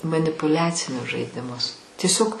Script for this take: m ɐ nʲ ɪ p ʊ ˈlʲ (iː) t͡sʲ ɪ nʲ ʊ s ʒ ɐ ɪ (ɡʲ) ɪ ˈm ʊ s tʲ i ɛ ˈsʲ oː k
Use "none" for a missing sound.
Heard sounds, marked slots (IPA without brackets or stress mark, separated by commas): æː, dʲ